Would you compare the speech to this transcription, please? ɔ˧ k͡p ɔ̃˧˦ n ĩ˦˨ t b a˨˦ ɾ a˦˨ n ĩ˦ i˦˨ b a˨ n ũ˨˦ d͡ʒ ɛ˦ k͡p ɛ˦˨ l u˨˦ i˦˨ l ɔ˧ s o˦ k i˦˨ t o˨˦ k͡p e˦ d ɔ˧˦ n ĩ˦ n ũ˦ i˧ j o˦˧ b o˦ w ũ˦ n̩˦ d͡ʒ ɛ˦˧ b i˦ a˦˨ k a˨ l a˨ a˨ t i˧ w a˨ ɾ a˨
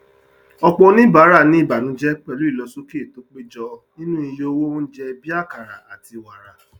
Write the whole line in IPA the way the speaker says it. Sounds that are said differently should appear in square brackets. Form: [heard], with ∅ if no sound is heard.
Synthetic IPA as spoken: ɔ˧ k͡p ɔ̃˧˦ n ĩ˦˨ [∅] b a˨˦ ɾ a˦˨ n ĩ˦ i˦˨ b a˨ n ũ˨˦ d͡ʒ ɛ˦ k͡p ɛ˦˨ l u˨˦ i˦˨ l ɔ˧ s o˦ k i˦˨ t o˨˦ k͡p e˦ [d͡ʒ] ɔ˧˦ n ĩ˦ n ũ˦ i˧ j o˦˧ [w] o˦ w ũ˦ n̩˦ d͡ʒ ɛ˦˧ b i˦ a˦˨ k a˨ [ɾ] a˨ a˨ t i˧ w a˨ ɾ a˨